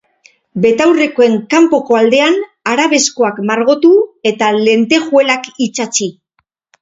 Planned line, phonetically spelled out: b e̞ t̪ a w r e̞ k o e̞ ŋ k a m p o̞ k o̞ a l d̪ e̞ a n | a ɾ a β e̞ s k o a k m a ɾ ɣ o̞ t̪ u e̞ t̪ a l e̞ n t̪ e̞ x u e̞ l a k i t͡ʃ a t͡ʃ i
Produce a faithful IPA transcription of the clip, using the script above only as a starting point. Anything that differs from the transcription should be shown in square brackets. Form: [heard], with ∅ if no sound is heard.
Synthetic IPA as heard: b e̞ t̪ a w r e̞ k o e̞ ŋ k a m p o̞ k o̞ a l d̪ e̞ a n | a ɾ a β e̞ s k o a k m a ɾ ɣ o̞ t̪ u e̞ t̪ a l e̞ n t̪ e̞ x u e̞ l a k i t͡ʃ a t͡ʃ i